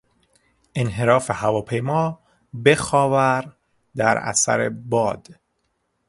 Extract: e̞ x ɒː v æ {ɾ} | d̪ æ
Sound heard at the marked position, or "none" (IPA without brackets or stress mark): ɾ